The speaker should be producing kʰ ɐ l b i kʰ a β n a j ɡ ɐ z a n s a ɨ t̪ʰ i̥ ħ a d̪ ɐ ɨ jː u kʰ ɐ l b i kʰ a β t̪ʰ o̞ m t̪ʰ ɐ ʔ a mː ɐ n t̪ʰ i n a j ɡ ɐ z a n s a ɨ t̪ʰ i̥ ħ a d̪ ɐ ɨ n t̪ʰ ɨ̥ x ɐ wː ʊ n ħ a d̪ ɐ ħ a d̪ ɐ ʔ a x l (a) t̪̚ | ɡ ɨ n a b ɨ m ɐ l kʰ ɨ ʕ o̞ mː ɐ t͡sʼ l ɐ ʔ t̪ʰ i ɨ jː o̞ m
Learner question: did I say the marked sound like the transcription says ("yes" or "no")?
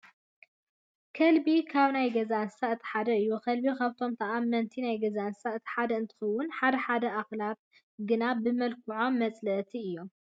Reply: yes